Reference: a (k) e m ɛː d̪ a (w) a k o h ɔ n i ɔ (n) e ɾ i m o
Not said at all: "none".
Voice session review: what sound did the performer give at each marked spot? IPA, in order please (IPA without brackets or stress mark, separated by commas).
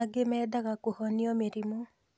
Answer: ɡ, ɣ, m